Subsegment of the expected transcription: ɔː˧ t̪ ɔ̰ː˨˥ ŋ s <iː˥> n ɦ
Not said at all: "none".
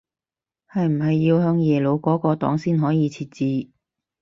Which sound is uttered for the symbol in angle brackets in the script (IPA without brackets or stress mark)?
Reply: iː˥